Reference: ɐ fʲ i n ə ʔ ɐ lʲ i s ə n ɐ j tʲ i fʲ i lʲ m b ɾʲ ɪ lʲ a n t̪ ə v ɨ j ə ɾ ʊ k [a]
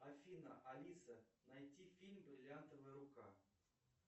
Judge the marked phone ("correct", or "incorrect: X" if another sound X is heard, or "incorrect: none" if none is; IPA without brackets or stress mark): correct